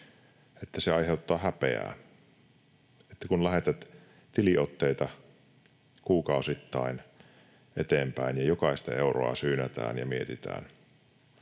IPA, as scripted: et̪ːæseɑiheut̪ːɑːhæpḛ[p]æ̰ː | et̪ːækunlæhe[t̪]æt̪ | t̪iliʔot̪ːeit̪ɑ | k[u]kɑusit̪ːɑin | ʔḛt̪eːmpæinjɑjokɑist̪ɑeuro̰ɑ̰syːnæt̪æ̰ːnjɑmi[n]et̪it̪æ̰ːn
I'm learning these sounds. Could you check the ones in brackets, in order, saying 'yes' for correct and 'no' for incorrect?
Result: no, yes, no, no

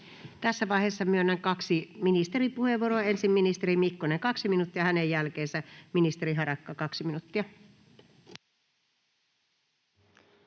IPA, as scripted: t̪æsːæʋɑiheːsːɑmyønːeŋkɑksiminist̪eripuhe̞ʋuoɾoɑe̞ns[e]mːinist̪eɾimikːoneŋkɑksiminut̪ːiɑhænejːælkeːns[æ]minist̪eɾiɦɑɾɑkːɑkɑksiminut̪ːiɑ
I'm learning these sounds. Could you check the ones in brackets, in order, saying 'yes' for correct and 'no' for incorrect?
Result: no, yes

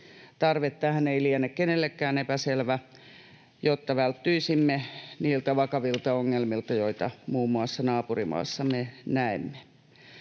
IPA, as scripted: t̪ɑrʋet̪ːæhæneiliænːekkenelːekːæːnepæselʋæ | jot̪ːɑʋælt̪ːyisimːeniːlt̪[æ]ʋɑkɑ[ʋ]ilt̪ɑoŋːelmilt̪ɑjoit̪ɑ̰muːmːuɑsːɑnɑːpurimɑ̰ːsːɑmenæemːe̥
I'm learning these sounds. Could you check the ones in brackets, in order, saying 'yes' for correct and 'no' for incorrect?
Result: yes, yes

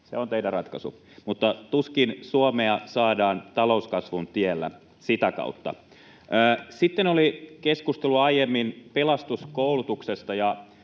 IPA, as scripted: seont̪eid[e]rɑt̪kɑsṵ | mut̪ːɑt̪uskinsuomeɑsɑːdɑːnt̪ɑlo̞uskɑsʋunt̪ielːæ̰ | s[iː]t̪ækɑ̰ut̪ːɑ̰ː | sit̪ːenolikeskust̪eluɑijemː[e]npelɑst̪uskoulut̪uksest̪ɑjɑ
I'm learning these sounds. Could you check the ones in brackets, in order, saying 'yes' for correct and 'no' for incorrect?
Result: no, no, no

